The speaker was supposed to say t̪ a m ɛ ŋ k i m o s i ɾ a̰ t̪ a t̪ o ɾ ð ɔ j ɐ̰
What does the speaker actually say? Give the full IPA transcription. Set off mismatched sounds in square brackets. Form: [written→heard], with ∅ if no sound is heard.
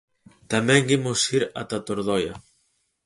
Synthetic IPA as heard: t̪ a m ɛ ŋ [k→ɡ] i m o s i ɾ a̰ t̪ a t̪ o ɾ ð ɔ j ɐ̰